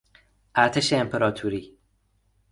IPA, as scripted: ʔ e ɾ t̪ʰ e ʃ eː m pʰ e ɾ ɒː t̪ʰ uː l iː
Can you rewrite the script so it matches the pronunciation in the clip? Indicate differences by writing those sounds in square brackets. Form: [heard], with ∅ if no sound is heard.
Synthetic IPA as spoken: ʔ [æ] ɾ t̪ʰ e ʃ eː m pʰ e ɾ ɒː t̪ʰ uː [ɾ] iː